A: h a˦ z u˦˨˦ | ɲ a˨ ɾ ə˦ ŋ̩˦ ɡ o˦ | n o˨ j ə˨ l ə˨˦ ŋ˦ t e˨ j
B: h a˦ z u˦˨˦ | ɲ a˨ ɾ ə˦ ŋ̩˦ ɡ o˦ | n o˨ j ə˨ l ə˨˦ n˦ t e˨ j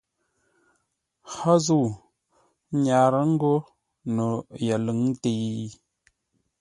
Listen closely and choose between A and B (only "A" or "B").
A